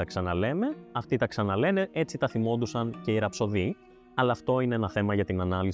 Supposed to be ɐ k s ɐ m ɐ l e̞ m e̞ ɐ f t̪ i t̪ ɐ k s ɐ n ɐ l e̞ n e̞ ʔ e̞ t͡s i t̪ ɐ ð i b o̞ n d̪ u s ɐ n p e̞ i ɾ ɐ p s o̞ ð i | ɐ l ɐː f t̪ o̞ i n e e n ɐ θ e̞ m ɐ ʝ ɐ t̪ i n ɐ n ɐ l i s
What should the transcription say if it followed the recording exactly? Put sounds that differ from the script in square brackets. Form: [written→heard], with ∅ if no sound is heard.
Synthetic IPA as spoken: ɐ k s ɐ [m→n] ɐ l e̞ m e̞ ɐ f t̪ i t̪ ɐ k s ɐ n ɐ l e̞ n e̞ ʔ e̞ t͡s i t̪ ɐ [ð→θ] i [b→m] o̞ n d̪ u s ɐ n [p→c] e̞ i ɾ ɐ p s o̞ ð i | ɐ l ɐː f t̪ o̞ i n e e n ɐ θ e̞ m ɐ ʝ ɐ t̪ i n ɐ n ɐ l i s